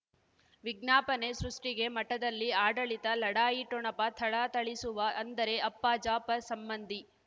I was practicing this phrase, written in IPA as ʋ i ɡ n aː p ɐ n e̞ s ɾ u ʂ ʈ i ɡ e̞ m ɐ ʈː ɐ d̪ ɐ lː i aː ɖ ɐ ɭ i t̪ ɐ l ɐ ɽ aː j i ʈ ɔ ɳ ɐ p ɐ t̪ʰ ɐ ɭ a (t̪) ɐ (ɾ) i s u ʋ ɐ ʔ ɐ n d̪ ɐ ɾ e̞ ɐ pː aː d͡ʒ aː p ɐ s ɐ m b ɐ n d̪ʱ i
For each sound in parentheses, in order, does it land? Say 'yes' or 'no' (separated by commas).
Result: yes, no